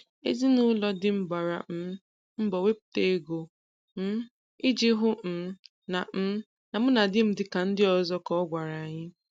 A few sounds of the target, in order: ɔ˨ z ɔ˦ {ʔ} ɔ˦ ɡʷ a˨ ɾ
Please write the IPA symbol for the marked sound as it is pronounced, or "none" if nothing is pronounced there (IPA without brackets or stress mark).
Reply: k